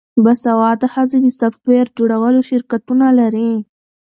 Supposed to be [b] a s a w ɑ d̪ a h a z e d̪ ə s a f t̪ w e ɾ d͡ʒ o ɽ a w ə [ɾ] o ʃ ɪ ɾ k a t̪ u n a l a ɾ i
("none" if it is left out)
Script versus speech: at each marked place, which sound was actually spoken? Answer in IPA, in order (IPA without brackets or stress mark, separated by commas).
b, l